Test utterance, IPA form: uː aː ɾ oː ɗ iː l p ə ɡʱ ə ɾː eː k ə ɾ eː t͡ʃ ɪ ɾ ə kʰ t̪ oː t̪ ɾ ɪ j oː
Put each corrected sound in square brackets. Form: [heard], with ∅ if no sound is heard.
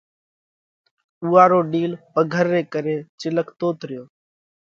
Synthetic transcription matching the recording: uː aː ɾ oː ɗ iː l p ə ɡʱ ə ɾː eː k ə ɾ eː t͡ʃ ɪ [l] ə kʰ t̪ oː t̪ ɾ ɪ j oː